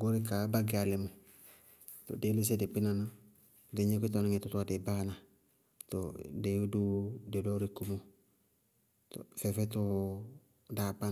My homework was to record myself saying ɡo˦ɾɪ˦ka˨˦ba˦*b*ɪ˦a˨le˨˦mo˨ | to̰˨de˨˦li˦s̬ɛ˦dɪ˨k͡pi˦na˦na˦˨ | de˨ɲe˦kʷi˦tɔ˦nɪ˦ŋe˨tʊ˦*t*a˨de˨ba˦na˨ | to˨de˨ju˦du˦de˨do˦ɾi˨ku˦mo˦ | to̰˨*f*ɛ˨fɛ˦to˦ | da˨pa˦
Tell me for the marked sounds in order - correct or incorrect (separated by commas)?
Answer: incorrect, correct, correct